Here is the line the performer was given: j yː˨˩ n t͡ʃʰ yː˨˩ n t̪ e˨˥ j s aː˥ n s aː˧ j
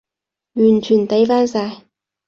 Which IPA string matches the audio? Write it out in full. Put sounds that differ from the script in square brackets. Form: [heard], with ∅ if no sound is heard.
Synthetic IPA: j yː˨˩ n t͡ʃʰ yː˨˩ n t̪ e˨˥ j [f] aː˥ n s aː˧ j